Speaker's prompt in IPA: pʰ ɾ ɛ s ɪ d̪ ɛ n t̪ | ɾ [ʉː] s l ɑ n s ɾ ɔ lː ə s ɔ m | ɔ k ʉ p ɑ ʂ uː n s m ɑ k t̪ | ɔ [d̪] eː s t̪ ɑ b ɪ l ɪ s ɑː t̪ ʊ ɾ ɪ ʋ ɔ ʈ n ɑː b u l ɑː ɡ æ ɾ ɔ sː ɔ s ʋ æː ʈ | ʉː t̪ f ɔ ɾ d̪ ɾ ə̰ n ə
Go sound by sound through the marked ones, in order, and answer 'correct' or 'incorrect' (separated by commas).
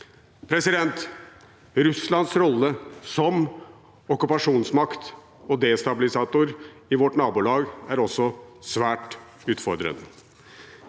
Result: incorrect, correct